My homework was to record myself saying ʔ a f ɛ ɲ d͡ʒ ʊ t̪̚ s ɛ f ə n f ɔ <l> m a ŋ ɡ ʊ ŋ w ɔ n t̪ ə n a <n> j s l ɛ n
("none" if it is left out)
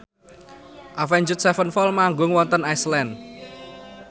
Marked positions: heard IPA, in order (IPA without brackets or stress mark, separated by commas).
l, none